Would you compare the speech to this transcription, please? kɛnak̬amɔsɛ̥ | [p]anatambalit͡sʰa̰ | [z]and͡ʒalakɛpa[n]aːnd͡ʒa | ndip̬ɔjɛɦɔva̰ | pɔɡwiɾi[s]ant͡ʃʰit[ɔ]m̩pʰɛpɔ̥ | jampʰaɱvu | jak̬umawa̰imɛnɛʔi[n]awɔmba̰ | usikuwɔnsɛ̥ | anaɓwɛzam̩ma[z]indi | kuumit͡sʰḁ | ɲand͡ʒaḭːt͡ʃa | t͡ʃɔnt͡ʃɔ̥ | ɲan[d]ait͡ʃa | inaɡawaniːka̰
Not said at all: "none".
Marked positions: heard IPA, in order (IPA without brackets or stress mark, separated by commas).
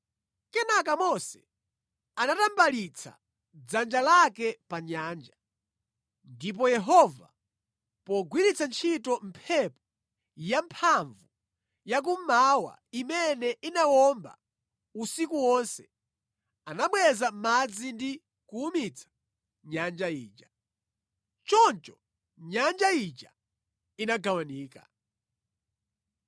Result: k, d͡z, ɲ, t͡s, ɔ, n, d͡z, d͡ʒ